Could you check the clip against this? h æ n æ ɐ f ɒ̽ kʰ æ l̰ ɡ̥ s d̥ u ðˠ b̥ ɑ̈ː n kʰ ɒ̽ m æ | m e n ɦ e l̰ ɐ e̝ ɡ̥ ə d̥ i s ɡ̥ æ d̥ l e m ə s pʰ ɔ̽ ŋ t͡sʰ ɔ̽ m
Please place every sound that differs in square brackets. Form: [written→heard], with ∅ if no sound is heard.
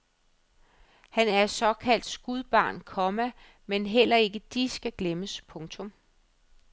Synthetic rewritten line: h æ n æ ɐ [f→s] ɒ̽ kʰ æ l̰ [ɡ̥→d̥] s [d̥→ɡ̥] u ðˠ b̥ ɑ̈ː n kʰ ɒ̽ m æ | m e n ɦ e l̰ ɐ e̝ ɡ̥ ə d̥ i s ɡ̥ æ [d̥→ɡ̥] l e m ə s pʰ ɔ̽ ŋ t͡sʰ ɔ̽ m